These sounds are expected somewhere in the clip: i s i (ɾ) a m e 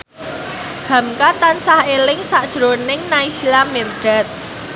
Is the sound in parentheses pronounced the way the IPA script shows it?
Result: no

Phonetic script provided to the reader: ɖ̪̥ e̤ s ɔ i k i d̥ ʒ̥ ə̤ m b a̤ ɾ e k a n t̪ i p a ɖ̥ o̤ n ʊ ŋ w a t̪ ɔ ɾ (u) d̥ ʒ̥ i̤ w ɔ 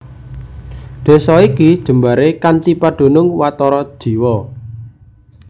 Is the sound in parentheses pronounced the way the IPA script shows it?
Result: no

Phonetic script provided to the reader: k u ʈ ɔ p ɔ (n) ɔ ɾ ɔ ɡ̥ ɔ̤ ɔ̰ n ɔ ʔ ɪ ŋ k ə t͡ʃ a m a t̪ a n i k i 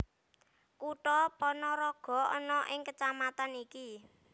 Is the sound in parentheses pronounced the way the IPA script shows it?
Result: yes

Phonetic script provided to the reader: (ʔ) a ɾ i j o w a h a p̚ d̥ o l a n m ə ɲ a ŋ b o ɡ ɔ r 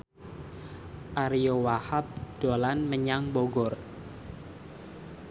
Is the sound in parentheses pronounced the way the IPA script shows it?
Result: yes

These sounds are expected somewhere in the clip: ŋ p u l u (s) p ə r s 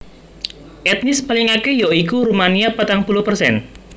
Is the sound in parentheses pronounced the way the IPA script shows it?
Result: no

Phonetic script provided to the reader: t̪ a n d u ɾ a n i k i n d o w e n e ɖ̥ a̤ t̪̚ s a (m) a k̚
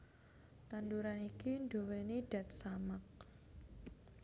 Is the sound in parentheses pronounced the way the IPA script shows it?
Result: yes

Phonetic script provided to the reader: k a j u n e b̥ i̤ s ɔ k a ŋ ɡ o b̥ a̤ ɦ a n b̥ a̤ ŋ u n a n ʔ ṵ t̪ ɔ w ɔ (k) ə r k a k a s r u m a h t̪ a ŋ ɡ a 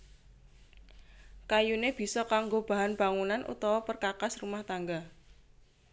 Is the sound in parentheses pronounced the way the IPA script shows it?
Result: no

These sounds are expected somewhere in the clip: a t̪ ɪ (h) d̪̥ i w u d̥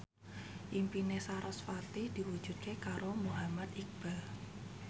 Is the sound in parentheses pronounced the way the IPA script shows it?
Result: yes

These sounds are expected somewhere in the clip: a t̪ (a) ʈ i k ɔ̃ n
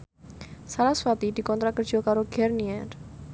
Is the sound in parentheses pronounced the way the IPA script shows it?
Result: no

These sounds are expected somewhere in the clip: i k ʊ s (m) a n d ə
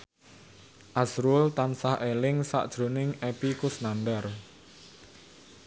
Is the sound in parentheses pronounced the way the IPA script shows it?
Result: no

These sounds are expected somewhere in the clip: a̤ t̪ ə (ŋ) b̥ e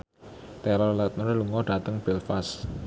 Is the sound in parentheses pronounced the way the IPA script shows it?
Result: yes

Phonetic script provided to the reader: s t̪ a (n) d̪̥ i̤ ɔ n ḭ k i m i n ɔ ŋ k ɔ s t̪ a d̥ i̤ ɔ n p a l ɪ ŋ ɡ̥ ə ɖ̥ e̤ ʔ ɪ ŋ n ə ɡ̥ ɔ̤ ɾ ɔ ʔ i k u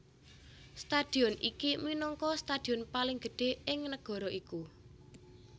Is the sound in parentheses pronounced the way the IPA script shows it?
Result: no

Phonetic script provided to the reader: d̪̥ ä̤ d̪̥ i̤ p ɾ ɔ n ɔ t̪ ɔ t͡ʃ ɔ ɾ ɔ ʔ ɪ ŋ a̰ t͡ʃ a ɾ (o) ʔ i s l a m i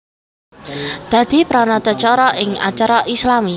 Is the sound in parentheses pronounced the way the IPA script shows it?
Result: no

